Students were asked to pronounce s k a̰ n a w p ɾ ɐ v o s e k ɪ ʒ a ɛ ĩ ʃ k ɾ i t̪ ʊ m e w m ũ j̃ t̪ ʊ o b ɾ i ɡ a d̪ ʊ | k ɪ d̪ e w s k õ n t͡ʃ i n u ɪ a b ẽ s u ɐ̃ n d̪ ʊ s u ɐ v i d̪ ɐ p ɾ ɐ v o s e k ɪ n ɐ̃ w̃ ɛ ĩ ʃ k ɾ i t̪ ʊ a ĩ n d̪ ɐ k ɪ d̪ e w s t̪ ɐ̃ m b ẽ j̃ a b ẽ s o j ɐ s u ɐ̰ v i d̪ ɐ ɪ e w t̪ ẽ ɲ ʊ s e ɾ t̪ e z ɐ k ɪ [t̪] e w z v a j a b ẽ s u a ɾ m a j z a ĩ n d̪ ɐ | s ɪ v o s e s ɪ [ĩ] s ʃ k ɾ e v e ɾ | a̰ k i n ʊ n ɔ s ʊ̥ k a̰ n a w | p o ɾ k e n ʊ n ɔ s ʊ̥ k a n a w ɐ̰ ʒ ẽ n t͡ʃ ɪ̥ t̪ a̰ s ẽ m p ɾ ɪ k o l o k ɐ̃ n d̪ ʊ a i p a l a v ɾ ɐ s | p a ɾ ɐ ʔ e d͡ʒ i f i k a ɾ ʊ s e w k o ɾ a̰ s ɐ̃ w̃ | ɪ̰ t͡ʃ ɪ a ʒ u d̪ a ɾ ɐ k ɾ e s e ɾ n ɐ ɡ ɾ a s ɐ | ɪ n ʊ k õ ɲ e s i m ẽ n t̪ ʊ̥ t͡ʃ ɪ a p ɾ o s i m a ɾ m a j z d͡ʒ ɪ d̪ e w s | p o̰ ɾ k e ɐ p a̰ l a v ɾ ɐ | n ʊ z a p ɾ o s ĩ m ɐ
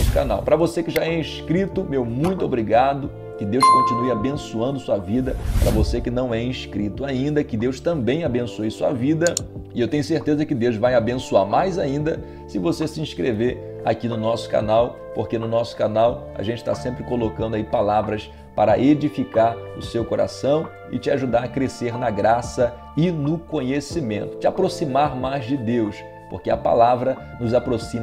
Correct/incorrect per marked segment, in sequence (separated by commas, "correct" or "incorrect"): incorrect, correct